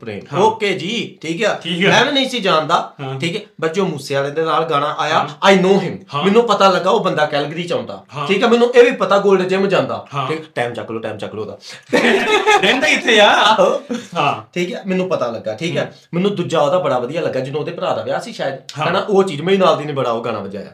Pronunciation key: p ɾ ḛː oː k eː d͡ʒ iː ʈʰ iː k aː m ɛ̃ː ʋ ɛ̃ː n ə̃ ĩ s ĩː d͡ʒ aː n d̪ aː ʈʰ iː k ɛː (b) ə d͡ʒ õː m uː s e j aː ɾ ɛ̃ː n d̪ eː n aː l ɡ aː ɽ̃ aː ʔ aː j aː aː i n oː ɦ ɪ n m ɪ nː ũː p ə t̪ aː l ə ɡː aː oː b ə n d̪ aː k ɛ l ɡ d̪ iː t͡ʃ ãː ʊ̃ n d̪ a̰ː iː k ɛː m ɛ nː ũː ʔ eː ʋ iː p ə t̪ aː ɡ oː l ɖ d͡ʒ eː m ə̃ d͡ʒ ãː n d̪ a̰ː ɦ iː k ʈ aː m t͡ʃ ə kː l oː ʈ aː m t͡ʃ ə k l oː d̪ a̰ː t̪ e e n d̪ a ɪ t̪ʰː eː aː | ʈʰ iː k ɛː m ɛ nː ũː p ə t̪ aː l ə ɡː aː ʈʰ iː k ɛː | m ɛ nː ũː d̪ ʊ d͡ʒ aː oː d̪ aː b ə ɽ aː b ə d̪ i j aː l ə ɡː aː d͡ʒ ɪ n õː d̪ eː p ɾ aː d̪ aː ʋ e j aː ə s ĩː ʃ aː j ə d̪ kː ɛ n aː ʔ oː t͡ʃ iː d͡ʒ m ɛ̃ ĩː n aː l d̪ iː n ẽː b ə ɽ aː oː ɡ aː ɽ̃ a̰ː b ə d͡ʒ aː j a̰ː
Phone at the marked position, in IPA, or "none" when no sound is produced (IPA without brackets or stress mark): b